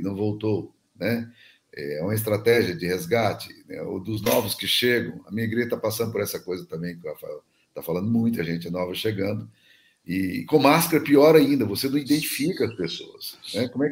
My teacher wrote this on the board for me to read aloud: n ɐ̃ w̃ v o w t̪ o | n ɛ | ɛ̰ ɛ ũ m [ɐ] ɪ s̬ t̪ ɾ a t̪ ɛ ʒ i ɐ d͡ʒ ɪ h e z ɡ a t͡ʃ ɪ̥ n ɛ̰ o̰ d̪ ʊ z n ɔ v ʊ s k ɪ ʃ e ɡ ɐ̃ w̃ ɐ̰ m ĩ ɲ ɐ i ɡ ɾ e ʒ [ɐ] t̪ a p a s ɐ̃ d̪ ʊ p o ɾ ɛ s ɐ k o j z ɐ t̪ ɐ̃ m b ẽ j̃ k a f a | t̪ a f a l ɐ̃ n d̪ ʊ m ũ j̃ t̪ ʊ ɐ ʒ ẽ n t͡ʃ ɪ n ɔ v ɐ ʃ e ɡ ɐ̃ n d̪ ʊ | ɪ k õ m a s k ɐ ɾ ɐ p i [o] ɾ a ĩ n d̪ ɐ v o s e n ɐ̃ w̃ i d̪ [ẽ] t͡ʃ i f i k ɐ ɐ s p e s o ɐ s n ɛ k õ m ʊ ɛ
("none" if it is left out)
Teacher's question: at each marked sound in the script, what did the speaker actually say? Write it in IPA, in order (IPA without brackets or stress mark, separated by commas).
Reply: ɐ, ɐ, ɔ, ẽ